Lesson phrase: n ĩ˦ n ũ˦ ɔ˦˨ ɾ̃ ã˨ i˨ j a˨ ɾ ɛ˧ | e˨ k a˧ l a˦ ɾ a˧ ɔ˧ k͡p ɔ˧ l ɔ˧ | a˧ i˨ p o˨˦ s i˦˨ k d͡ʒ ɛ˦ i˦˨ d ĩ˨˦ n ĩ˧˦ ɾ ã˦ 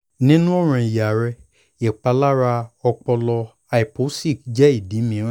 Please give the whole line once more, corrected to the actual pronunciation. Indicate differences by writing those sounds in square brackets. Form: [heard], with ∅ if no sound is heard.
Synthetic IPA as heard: n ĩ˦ n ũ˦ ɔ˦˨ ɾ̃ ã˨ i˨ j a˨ ɾ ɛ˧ | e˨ [k͡p] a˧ l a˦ ɾ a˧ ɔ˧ k͡p ɔ˧ l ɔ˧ | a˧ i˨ p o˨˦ s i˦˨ k d͡ʒ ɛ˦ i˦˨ d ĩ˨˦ [m] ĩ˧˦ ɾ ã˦